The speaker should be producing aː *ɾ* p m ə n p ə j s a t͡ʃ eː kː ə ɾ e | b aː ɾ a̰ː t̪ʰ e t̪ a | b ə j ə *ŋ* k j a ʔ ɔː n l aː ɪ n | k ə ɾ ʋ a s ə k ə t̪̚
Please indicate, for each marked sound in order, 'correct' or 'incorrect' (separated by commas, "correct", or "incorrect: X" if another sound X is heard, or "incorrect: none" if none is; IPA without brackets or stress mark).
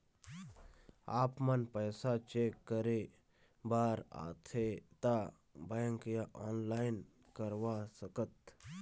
incorrect: none, correct